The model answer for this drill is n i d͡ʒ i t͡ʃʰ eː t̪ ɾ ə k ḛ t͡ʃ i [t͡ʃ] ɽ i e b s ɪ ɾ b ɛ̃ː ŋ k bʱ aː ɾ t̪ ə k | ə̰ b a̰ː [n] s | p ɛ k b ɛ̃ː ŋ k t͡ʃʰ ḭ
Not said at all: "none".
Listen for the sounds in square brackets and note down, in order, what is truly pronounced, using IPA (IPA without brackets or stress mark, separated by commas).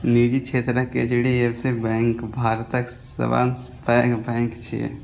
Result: none, n